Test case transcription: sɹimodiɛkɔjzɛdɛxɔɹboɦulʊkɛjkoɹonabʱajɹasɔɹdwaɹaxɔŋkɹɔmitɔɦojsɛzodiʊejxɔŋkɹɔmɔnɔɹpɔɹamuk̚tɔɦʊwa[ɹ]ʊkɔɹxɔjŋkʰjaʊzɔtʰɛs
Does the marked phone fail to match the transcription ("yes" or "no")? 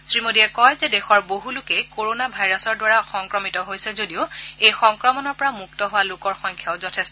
yes